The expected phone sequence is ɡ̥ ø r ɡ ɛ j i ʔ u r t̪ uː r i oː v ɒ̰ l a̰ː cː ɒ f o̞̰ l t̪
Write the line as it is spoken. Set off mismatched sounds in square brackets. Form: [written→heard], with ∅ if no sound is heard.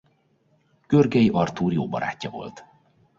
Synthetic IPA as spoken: ɡ̥ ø r ɡ ɛ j i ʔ [u→ɒ] r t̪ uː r [i→j] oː [v→b] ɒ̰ [l→ɾ] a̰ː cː ɒ [f→v] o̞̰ l t̪